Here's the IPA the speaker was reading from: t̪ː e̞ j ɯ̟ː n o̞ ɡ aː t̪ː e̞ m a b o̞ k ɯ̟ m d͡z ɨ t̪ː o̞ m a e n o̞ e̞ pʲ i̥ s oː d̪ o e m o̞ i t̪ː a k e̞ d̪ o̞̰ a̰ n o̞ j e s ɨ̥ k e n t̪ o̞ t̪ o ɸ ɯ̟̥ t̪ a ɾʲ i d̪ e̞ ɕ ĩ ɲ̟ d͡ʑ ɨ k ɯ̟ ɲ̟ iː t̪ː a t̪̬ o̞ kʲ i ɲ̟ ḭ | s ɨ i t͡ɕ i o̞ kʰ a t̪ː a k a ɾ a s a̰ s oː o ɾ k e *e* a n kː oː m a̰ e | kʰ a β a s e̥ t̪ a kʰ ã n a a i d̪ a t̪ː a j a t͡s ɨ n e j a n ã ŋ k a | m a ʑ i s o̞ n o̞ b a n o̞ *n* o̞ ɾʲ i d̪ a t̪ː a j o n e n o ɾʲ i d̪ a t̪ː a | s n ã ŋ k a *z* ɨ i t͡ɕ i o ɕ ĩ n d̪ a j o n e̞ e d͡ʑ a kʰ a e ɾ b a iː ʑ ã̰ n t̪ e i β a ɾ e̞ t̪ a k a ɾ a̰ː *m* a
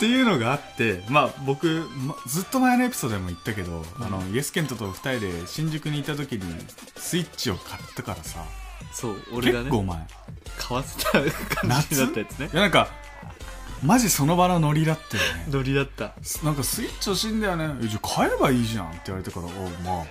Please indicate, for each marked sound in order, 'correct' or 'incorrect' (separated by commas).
correct, correct, incorrect, correct